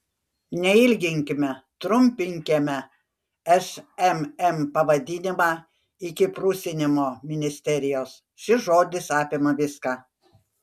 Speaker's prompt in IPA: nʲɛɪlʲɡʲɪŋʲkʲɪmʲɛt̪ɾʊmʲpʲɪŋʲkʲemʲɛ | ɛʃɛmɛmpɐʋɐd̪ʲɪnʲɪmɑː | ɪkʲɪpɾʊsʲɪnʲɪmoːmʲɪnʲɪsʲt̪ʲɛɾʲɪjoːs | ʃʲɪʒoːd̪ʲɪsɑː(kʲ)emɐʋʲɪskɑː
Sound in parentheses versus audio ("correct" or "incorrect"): incorrect